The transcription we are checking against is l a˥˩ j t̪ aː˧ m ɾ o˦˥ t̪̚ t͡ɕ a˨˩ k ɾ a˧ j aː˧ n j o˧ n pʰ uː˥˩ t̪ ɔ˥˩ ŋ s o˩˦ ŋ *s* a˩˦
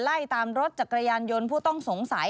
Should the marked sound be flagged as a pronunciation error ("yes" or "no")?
no